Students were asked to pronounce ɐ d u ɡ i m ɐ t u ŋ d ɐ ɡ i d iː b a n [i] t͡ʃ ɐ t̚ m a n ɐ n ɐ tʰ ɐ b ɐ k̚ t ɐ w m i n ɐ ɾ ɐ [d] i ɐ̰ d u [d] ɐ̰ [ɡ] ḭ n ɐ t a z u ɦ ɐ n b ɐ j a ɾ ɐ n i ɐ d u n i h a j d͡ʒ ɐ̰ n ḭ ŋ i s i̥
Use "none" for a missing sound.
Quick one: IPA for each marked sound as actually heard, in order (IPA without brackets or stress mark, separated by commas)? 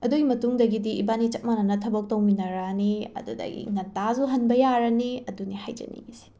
i, n, d, ɡ